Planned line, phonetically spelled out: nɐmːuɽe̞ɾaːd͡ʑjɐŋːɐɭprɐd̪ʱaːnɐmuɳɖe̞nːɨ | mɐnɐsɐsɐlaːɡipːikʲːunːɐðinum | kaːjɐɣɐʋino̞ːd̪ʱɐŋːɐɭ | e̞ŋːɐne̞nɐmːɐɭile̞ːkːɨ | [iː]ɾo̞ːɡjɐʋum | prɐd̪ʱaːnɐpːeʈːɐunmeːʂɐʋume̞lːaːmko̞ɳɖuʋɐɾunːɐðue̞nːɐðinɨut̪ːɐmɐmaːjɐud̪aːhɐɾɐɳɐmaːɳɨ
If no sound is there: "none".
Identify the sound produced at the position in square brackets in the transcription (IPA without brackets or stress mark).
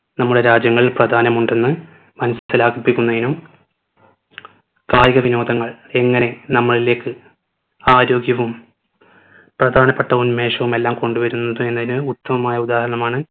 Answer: aː